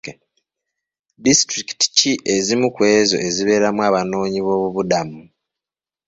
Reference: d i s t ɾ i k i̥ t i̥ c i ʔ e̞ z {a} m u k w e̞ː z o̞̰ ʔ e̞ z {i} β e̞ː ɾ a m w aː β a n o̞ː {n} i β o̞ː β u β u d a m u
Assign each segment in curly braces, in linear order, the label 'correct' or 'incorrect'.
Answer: incorrect, correct, incorrect

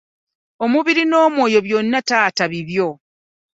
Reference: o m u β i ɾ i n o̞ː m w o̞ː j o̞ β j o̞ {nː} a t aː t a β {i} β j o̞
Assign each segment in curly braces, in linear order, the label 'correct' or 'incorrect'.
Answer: correct, correct

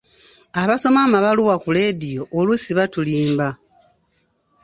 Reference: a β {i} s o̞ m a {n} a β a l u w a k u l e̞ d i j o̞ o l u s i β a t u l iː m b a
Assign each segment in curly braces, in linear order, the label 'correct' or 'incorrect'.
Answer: incorrect, incorrect

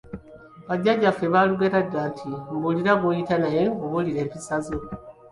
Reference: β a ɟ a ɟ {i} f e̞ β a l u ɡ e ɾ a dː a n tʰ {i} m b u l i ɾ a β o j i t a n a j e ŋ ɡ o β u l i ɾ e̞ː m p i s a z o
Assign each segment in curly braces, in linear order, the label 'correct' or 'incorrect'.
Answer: incorrect, correct

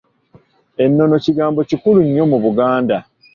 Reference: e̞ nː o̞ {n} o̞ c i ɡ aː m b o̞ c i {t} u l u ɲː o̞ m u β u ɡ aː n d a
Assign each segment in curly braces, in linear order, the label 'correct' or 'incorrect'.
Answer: correct, incorrect

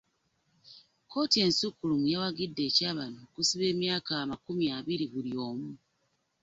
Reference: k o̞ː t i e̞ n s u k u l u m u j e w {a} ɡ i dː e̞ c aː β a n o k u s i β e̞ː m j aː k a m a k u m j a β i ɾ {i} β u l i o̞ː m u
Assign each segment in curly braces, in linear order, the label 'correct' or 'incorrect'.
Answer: correct, correct

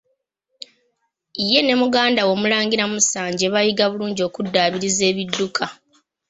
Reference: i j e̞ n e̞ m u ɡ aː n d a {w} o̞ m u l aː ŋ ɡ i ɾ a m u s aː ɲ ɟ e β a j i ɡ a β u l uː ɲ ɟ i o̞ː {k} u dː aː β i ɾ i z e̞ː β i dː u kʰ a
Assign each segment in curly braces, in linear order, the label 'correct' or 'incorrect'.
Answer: correct, correct

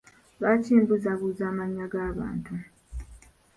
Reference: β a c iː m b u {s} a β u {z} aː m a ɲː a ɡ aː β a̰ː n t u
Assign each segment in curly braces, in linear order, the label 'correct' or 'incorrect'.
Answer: incorrect, correct

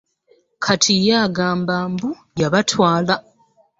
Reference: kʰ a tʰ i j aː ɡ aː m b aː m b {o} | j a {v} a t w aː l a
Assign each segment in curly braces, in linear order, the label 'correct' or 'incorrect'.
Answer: incorrect, incorrect

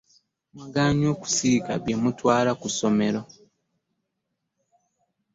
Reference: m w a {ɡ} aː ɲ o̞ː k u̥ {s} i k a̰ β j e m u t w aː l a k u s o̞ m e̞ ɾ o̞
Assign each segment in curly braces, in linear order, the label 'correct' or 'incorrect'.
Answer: correct, correct

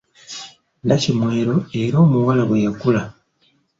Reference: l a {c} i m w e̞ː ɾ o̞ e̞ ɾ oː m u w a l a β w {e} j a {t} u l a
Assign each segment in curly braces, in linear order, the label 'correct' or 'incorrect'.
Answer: correct, correct, incorrect

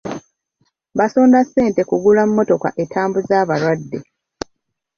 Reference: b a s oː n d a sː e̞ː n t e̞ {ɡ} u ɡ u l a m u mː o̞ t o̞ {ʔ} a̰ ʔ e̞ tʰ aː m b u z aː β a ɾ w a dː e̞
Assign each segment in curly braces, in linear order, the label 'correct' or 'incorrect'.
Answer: incorrect, incorrect

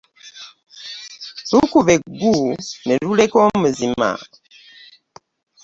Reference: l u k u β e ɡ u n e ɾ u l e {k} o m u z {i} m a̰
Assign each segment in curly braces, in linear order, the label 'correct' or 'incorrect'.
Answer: correct, correct

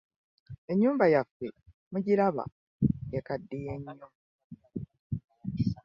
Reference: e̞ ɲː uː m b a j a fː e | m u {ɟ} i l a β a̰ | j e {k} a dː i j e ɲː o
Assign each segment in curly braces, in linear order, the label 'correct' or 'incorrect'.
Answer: correct, correct

